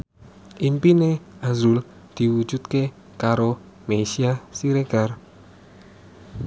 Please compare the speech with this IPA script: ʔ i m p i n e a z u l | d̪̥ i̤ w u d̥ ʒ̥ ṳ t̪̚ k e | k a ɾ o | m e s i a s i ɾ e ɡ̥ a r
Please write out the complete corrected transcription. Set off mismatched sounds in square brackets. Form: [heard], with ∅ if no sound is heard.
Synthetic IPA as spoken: ʔ i m p i n e a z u l | d̪̥ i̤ w u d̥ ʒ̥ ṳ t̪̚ k e | k a ɾ o | m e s i a s i ɾ e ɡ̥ a r